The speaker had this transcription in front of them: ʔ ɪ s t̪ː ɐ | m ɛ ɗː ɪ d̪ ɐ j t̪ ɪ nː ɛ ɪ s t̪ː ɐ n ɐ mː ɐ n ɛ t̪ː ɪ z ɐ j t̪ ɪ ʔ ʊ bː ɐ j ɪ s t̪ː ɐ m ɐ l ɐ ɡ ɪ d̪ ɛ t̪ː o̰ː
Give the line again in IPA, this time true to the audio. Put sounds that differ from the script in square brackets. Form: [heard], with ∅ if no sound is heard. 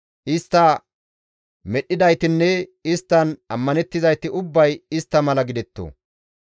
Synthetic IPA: ʔ ɪ s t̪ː ɐ | m ɛ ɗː ɪ d̪ ɐ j t̪ ɪ nː ɛ ɪ s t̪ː ɐ n ɐ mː ɐ n ɛ t̪ː ɪ z ɐ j t̪ ɪ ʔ ʊ bː ɐ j ɪ s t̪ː ɐ m ɐ l ɐ ɡ ɪ d̪ ɛ t̪ː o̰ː